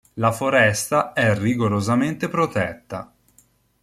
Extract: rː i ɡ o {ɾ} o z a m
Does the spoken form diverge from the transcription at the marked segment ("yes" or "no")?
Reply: no